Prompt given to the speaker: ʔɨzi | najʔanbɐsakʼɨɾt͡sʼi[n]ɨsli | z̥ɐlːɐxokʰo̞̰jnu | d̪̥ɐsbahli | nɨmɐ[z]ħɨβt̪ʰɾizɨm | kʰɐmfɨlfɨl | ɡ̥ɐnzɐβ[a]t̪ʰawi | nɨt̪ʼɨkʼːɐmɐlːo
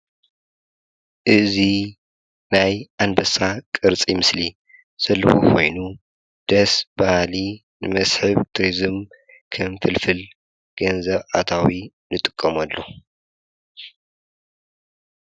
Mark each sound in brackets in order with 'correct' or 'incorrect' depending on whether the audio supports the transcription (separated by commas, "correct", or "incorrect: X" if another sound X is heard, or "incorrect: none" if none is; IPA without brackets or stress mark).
incorrect: m, incorrect: s, correct